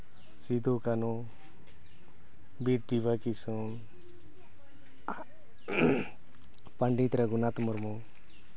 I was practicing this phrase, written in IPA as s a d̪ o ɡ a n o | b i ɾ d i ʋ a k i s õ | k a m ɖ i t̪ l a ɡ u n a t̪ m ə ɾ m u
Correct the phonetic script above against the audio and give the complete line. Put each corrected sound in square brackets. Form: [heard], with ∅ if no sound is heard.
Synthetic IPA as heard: s [i] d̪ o [k] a n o | b i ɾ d i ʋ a k i s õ | [p] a [ɳ] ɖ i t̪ [ɾ] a ɡ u n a t̪ m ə ɾ m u

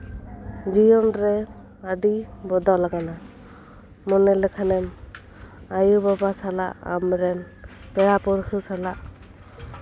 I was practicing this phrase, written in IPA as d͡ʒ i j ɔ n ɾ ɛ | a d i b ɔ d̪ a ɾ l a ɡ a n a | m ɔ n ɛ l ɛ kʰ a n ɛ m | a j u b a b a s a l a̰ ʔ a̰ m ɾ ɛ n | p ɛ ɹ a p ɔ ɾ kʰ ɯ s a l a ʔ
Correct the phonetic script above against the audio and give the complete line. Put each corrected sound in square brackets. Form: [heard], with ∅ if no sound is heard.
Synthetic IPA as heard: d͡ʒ i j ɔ n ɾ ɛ | a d i b ɔ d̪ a [∅] l a ɡ a n a | m ɔ n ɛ l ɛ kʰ a n ɛ m | a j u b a b a s a l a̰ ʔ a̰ m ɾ ɛ n | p ɛ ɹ a p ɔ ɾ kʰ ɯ s a l a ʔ

